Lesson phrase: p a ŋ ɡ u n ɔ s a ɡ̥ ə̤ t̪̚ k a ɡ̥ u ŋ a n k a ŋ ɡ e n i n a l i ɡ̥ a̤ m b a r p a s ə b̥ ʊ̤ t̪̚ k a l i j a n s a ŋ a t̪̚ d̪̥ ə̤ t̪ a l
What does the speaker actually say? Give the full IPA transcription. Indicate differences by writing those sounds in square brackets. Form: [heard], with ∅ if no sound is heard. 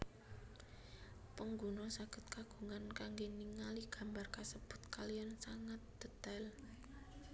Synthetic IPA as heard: p [ə] ŋ ɡ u n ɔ s a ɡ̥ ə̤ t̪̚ k a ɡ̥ u ŋ a n k a ŋ ɡ e n i [ŋ] a l i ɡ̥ a̤ m b a r [k] a s ə b̥ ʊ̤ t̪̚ k a l i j a n s a ŋ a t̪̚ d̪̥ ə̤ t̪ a l